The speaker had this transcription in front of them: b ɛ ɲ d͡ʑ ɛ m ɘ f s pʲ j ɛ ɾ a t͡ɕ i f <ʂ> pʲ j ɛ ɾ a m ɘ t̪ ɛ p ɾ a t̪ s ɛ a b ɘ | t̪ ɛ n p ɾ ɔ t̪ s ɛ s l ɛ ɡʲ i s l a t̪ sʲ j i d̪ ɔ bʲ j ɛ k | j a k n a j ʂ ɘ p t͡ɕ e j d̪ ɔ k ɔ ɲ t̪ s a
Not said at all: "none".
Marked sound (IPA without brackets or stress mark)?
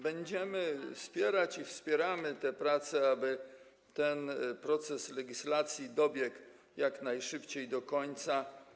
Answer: s